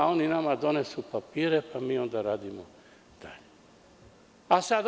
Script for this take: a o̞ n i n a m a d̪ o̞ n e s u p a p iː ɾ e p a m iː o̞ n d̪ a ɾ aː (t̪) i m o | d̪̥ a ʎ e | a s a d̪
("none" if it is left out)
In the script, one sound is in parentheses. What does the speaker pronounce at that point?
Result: d̪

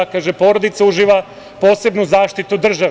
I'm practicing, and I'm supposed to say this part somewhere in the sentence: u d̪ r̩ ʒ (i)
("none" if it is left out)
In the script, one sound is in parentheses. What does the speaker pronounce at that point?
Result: a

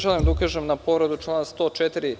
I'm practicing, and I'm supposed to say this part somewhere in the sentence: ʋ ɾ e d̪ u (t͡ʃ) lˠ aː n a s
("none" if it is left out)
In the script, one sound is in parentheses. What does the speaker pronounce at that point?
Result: t͡ʃ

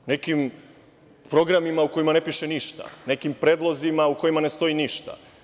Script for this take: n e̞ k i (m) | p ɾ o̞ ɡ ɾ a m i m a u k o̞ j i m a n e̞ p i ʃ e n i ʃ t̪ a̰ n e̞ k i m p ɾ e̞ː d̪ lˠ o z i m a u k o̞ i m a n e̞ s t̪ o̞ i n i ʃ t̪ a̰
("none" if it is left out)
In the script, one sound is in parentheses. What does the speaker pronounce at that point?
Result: m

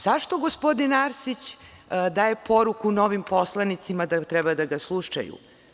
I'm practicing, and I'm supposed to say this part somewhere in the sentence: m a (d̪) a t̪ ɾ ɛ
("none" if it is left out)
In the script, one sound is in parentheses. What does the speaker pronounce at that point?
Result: d̪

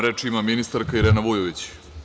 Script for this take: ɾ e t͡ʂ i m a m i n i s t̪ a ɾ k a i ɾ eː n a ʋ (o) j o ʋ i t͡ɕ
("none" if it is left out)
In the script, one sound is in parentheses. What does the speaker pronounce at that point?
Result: u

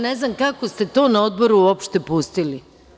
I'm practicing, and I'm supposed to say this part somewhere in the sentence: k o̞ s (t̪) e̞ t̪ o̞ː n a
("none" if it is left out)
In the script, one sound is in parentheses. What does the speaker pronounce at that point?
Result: t̪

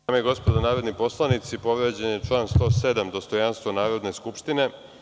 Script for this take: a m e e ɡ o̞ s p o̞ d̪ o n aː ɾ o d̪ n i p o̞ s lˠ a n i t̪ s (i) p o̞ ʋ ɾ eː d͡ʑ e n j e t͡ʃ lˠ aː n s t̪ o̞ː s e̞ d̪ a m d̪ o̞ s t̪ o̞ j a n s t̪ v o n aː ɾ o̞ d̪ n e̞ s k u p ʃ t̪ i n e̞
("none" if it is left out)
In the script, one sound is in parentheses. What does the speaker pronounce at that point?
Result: i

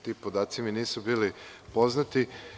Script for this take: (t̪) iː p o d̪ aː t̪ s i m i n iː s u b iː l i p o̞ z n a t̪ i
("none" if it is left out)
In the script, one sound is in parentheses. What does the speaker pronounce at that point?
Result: t̪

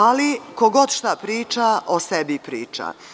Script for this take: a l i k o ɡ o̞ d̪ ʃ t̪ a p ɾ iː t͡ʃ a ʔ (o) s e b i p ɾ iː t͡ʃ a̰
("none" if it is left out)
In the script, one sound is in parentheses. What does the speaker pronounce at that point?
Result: o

